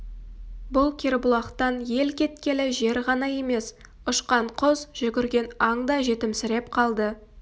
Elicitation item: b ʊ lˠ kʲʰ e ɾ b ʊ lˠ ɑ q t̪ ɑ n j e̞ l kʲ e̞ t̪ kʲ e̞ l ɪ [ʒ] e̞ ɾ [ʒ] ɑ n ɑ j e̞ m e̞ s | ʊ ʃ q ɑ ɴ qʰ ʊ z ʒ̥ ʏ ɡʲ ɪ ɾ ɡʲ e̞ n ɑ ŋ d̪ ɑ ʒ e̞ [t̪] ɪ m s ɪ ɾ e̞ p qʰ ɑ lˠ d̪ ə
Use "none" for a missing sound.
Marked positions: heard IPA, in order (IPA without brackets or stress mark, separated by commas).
ʒ, ʁ, t̪